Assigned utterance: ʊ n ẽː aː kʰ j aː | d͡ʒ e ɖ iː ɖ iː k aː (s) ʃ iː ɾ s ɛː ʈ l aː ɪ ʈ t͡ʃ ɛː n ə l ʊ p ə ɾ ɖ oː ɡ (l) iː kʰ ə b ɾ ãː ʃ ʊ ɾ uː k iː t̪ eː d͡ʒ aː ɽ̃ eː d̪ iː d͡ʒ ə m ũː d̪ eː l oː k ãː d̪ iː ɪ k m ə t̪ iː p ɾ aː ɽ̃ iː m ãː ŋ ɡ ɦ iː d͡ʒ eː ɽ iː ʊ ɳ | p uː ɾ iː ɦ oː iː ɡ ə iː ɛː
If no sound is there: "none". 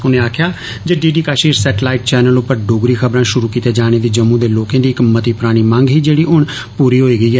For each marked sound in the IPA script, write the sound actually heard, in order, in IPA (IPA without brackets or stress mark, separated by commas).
none, ɾ